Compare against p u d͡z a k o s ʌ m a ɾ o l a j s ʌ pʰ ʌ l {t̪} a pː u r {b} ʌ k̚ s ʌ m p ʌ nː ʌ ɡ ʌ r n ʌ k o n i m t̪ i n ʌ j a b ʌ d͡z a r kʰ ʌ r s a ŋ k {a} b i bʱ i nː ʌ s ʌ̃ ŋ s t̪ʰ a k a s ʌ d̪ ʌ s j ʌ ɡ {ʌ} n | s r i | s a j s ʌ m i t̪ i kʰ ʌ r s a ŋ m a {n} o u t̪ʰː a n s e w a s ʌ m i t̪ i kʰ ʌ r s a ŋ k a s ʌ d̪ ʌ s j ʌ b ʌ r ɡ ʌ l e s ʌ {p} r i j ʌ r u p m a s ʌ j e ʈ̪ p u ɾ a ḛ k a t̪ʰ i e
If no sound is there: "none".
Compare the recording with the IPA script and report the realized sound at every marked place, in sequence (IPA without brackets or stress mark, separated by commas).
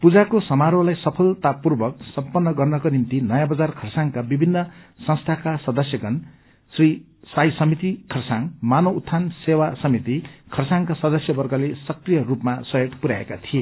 t̪, b, a, ʌ, n, k